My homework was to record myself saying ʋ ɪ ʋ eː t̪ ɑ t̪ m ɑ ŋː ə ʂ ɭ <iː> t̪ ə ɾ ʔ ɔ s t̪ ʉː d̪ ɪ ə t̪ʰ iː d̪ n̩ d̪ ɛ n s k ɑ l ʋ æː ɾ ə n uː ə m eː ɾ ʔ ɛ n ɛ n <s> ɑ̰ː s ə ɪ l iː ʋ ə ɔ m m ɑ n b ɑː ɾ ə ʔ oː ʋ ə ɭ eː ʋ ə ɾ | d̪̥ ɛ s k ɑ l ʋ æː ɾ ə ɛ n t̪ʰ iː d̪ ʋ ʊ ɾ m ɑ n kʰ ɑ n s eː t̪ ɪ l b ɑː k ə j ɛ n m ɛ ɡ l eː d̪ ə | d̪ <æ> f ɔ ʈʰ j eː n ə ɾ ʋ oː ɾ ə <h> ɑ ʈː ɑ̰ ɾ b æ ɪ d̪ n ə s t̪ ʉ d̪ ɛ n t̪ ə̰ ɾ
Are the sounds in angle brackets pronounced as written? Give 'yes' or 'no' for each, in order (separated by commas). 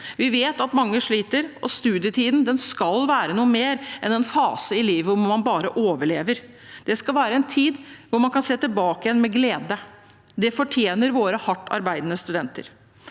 yes, no, no, yes